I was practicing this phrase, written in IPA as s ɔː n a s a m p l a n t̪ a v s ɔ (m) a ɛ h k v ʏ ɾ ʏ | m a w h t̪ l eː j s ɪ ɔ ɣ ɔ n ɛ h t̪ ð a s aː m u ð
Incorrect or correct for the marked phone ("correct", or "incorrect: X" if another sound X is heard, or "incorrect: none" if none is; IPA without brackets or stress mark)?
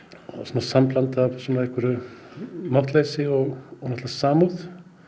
incorrect: n